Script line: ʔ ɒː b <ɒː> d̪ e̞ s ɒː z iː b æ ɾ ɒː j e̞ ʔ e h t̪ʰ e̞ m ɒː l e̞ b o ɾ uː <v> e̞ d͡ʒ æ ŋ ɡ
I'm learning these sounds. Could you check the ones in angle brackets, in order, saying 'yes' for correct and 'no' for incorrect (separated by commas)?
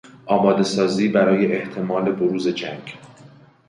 yes, no